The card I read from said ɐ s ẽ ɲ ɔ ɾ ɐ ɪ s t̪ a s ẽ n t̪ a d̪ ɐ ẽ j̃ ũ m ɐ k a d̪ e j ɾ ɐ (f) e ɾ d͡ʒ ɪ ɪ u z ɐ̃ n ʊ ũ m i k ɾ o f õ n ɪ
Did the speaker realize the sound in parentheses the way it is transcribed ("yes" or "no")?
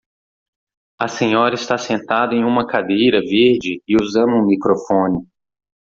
no